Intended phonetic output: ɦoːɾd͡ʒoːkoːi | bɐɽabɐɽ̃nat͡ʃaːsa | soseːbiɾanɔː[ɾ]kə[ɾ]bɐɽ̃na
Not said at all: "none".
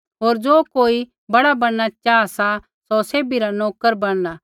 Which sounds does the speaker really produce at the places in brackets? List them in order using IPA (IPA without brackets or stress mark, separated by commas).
none, ɾ